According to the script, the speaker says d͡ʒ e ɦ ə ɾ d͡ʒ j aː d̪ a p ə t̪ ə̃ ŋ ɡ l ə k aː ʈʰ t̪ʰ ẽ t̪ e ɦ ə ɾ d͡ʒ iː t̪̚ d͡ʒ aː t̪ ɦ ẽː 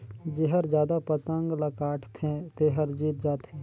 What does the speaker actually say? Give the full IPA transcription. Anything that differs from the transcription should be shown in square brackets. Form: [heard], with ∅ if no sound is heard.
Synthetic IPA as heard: d͡ʒ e ɦ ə ɾ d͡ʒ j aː d̪ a p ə t̪ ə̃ ŋ ɡ l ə k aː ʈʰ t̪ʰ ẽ t̪ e ɦ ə ɾ d͡ʒ iː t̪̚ d͡ʒ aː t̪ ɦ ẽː